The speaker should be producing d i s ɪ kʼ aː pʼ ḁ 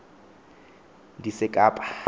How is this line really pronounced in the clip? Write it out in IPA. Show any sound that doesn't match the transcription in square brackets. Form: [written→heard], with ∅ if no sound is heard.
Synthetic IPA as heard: d i s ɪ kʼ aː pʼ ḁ